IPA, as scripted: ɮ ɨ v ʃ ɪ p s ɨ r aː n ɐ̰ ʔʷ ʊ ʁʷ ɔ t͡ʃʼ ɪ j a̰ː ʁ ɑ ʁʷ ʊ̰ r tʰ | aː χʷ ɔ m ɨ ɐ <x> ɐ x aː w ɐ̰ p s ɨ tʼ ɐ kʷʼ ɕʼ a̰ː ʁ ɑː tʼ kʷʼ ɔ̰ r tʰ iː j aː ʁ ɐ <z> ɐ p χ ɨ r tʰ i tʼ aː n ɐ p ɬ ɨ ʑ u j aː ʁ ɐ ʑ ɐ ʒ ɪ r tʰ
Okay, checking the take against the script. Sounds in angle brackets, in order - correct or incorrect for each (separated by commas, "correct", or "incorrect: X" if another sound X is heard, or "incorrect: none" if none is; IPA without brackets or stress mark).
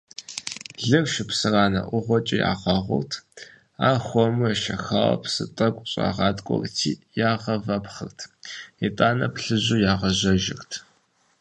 incorrect: ʃ, incorrect: v